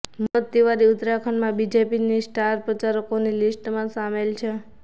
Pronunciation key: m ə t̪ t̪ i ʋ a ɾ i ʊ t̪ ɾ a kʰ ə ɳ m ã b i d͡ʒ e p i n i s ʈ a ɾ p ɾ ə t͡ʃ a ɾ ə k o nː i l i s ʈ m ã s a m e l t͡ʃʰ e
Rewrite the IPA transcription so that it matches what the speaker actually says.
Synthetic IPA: m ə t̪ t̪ i ʋ a ɾ i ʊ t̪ ɾ a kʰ ə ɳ m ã b i d͡ʒ e p i n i s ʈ a ɾ p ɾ ə t͡ʃ a ɾ ə k o n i l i s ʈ m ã s a m e l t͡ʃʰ e